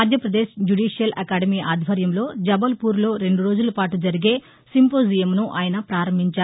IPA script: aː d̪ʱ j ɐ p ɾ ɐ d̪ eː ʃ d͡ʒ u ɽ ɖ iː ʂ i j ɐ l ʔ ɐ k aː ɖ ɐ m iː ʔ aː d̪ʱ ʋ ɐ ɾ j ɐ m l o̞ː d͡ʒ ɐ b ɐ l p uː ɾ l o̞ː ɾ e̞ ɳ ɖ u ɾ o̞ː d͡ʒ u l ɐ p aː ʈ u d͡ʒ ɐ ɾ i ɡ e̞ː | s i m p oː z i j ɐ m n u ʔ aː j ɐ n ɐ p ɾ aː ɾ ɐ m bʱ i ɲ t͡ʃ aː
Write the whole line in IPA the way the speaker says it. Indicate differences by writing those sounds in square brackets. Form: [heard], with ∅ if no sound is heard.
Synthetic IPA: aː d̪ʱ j ɐ p ɾ ɐ d̪ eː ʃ d͡ʒ u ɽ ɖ iː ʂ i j ɐ l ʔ ɐ k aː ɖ ɐ m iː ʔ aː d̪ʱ ʋ ɐ ɾ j ɐ m l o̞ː d͡ʒ ɐ b ɐ l p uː ɾ l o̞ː ɾ e̞ ɳ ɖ u ɾ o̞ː d͡ʒ u l ɐ p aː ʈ u d͡ʒ ɐ ɾ i ɡ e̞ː | s i m p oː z i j ɐ m n u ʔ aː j ɐ n ɐ p ɾ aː ɾ ɐ m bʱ i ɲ t͡ʃ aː